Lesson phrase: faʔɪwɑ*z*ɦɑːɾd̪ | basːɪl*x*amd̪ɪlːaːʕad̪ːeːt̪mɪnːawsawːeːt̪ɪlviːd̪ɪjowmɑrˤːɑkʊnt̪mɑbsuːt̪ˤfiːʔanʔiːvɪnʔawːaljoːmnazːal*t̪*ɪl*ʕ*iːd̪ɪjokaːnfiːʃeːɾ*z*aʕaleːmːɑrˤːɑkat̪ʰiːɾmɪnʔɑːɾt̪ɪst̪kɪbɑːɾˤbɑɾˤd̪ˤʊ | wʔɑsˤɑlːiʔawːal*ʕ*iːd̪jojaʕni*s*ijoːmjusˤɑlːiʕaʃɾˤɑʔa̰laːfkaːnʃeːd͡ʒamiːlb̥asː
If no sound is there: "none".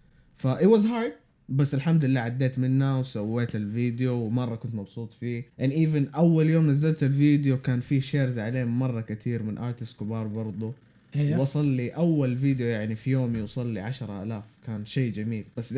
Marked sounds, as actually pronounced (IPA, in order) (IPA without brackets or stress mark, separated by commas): z, ħ, t̪, v, z, v, f